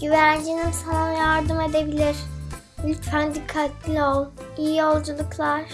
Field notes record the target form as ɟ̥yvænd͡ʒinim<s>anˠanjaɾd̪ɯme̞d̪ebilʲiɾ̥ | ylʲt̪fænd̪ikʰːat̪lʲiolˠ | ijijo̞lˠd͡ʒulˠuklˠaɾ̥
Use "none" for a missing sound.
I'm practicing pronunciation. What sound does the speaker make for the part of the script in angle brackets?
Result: s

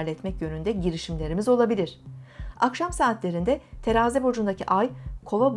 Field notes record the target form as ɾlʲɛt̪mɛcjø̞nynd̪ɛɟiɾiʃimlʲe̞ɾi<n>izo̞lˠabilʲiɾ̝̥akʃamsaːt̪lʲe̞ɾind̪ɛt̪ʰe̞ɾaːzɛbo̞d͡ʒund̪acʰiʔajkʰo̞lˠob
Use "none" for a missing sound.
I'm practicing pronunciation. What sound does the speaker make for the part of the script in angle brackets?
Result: m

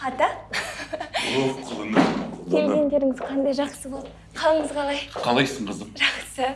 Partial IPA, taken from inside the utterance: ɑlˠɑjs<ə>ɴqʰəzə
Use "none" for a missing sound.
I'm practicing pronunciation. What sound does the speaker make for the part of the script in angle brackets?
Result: ə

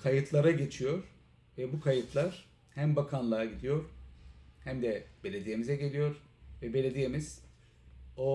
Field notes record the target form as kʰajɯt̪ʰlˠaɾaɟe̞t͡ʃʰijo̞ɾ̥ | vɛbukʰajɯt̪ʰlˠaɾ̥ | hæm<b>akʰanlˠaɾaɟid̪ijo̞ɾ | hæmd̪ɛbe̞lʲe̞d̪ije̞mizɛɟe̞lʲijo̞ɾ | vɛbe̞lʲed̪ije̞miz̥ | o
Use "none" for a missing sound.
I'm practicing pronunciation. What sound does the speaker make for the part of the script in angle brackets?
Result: b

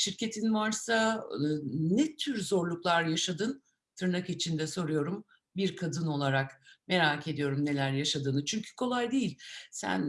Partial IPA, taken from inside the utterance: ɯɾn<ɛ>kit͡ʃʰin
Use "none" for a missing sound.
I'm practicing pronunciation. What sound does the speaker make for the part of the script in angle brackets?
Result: a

